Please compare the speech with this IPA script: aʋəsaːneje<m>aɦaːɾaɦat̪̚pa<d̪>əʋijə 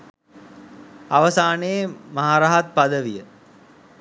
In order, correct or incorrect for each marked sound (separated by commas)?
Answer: correct, correct